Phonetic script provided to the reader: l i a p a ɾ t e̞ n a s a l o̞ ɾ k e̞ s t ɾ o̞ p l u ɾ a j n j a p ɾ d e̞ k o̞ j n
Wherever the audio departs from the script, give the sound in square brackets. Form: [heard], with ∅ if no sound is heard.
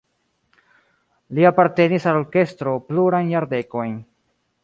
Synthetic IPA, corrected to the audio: l i a p a ɾ t e̞ n [i] s a l o̞ ɾ k e̞ s t ɾ o̞ p l u ɾ a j n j a [∅] ɾ d e̞ k o̞ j n